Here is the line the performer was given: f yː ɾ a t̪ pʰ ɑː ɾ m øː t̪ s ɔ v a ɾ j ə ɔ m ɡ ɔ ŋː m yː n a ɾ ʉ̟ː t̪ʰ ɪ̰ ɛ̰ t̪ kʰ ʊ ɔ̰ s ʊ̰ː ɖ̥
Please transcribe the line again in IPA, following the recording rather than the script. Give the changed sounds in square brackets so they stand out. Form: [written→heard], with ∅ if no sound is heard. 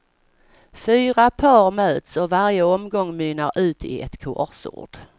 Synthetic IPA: f yː ɾ a [t̪→∅] pʰ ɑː ɾ m øː t̪ s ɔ v a ɾ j ə ɔ m ɡ ɔ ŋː m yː n a ɾ ʉ̟ː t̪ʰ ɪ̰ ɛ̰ t̪ kʰ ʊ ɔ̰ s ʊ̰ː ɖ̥